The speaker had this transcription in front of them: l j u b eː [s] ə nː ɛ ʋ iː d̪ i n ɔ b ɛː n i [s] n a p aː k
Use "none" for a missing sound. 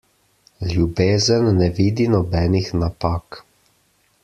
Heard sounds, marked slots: z, x

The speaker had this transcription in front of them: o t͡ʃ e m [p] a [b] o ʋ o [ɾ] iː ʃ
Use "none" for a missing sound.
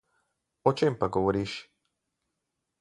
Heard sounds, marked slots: p, ɡ, ɾ

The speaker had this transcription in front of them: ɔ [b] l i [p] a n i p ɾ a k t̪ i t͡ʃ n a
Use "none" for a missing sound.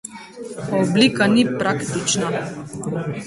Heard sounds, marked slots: b, k

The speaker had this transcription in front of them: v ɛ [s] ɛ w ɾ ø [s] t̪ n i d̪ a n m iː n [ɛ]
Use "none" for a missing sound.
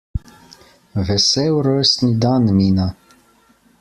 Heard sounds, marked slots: s, s, a

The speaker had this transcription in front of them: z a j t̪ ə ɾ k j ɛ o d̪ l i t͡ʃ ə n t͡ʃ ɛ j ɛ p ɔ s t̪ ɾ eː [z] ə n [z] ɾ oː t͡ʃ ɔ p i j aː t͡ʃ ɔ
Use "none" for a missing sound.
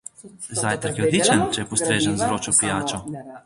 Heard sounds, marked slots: ʒ, z

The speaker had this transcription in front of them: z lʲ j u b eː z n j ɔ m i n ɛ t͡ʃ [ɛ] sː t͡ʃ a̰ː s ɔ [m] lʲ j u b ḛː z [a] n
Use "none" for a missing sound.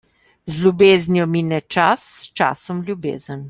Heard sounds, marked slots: a, m, ə

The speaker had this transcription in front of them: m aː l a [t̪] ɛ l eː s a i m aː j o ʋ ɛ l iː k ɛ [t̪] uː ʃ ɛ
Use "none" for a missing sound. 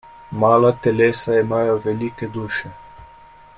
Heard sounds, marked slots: t̪, d̪

